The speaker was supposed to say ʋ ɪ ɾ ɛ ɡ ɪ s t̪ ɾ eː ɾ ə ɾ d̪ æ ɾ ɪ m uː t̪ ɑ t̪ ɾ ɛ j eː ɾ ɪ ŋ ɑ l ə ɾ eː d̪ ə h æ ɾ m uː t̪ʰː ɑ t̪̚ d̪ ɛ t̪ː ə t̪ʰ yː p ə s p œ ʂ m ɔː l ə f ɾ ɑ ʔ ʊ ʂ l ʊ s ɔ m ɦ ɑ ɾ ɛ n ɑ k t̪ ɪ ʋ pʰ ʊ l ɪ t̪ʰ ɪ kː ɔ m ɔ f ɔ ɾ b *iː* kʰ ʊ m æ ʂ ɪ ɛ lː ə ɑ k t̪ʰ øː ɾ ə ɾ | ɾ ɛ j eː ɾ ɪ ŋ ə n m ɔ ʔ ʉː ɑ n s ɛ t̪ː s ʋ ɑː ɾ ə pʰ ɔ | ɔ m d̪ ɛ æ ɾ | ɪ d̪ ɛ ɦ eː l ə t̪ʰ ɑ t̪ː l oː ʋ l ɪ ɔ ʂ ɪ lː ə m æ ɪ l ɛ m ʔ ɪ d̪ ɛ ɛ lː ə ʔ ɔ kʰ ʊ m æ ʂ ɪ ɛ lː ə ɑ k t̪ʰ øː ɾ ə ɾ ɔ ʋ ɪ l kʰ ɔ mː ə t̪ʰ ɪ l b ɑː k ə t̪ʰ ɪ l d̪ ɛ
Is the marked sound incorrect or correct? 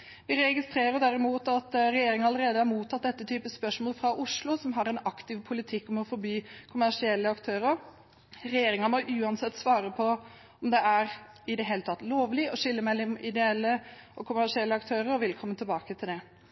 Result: incorrect: yː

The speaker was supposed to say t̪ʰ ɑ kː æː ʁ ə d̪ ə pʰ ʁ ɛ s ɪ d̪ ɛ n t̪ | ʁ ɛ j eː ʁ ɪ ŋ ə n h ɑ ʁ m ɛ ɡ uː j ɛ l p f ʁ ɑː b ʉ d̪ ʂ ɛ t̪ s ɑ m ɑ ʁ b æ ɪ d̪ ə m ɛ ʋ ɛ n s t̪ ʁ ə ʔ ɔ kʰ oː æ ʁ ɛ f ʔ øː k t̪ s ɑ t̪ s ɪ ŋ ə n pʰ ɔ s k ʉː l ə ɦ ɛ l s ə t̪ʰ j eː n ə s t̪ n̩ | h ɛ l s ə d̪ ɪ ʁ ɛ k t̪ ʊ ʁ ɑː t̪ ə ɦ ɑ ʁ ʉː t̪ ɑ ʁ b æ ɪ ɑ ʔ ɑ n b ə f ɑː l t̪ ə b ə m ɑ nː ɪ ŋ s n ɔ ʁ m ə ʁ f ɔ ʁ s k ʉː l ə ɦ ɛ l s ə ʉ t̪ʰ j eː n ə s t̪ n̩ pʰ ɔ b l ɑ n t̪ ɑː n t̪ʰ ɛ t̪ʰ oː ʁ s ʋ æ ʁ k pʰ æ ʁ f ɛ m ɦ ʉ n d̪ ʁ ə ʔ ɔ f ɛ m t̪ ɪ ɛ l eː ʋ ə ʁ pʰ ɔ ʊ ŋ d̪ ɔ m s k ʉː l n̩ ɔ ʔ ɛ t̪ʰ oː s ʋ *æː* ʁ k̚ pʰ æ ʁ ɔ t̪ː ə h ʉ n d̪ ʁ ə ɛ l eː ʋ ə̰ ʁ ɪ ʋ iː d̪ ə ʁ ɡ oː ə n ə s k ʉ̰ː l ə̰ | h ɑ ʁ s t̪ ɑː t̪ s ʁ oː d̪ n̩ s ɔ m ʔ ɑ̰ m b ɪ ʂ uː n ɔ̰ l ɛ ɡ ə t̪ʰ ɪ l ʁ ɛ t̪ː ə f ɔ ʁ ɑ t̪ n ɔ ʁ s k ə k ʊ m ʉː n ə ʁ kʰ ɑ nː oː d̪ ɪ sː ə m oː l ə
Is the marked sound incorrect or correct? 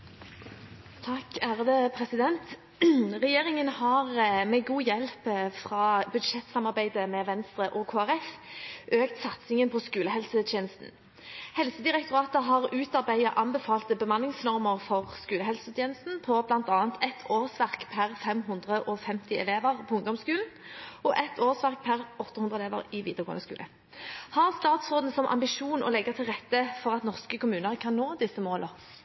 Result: incorrect: æ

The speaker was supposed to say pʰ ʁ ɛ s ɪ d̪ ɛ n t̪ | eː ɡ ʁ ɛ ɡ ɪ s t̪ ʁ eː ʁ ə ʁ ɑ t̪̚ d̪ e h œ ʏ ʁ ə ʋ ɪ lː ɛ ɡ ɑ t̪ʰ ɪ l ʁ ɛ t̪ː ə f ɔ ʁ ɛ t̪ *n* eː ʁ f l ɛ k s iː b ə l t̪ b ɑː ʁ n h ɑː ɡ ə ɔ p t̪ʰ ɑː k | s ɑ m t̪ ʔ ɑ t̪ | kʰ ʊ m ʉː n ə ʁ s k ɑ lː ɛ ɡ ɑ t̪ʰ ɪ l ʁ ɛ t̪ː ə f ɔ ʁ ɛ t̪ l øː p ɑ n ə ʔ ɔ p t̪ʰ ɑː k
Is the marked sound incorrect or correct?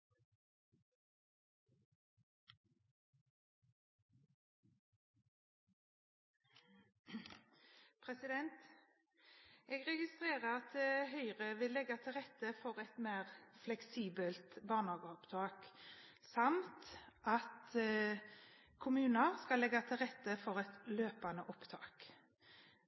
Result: incorrect: m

